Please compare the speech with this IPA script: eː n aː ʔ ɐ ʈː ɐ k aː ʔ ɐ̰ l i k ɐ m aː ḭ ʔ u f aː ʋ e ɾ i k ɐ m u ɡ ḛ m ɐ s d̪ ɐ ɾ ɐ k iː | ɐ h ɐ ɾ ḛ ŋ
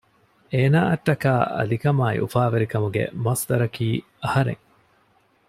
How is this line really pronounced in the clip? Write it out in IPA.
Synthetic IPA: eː n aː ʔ ɐ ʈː ɐ k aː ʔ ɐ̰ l i k ɐ m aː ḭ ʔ u f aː ʋ e ɾ i k ɐ m u ɡ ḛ m ɐ s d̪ ɐ ɾ ɐ k iː | ɐ h ɐ ɾ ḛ ŋ